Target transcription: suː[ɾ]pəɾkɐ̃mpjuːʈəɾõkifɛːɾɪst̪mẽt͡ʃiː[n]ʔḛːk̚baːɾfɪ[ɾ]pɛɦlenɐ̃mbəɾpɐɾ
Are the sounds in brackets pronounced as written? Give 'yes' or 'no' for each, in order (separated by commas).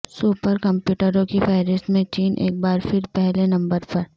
no, yes, yes